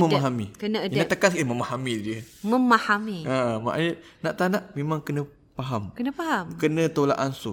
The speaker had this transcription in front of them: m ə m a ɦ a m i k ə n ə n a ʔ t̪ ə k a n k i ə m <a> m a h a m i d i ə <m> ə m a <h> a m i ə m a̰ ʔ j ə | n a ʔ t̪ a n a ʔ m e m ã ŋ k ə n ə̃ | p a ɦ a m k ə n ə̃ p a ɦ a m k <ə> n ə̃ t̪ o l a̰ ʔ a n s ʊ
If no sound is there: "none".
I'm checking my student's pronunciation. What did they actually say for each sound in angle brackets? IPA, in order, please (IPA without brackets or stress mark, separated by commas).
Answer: ə, m, h, ə